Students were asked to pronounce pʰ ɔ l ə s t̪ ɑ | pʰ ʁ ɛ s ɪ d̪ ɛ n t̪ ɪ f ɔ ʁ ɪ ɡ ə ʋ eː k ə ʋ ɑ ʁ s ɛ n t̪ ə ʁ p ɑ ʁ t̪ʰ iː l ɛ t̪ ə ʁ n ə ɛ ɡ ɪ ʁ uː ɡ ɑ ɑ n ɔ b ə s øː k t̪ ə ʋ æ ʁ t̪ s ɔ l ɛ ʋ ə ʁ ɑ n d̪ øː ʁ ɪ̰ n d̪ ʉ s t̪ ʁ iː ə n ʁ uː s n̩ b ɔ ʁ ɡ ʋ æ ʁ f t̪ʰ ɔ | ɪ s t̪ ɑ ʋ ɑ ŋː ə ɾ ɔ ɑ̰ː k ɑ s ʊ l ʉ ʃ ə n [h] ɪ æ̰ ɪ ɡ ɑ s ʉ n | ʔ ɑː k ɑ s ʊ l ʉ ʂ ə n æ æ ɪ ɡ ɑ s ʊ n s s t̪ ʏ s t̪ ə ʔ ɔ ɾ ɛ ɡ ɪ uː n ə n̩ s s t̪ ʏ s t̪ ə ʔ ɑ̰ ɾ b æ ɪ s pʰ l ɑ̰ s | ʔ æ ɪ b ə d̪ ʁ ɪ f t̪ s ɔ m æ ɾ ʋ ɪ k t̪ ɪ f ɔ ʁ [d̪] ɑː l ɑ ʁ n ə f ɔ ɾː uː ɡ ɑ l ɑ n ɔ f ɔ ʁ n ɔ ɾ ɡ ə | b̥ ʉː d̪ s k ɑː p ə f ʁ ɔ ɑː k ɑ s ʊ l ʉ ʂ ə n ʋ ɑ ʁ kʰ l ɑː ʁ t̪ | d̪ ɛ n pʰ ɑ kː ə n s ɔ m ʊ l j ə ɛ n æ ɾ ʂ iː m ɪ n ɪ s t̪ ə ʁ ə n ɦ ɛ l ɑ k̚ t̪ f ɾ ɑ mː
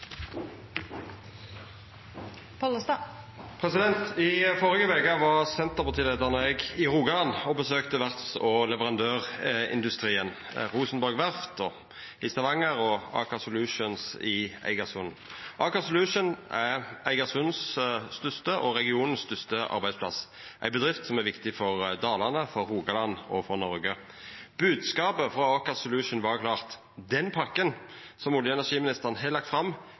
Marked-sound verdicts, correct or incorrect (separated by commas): incorrect, correct